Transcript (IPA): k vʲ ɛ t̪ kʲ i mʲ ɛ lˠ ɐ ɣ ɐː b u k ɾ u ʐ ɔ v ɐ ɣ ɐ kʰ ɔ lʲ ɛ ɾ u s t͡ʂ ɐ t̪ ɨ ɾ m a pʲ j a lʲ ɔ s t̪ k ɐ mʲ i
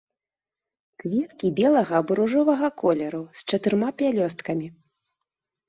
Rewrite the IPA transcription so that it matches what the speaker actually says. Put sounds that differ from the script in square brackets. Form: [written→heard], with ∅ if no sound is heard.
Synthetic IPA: k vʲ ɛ t̪ kʲ i [mʲ→bʲ] ɛ lˠ ɐ ɣ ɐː b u [k→∅] ɾ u ʐ ɔ v ɐ ɣ ɐ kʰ ɔ lʲ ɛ ɾ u s t͡ʂ ɐ t̪ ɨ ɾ m a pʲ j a lʲ ɔ s t̪ k ɐ mʲ i